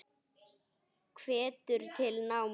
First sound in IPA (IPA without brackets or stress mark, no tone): kʰ